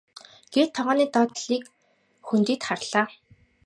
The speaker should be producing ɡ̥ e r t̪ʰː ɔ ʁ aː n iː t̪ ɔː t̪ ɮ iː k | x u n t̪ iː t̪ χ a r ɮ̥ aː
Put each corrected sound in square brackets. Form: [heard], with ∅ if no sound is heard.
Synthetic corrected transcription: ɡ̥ e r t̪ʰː ɔ ʁ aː n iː t̪ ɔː t̪ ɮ iː k | x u n t̪ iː t̪ χ a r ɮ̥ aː